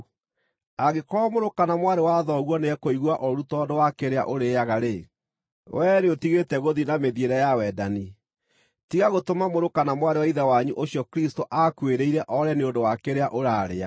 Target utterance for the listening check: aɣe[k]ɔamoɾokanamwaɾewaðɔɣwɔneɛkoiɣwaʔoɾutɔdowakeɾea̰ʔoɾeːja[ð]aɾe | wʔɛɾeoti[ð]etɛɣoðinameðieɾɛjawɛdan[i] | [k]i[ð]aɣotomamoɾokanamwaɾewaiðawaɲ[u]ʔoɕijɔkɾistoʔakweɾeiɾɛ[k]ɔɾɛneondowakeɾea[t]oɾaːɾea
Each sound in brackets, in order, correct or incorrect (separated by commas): correct, incorrect, incorrect, correct, incorrect, incorrect, correct, incorrect, incorrect